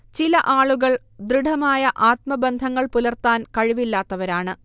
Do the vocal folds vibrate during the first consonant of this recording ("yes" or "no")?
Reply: no